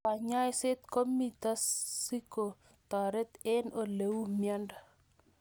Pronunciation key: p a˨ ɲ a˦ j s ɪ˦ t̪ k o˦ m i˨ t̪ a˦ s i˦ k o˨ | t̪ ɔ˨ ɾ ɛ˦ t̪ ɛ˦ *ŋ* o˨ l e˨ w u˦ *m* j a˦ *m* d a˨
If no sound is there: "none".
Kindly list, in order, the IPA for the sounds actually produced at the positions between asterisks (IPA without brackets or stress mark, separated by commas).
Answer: n, m, n